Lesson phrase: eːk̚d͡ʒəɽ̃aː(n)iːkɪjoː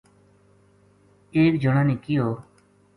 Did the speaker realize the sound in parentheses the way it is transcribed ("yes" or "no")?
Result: yes